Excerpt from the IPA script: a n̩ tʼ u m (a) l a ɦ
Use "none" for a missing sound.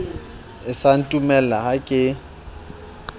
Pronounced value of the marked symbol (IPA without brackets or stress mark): ɛ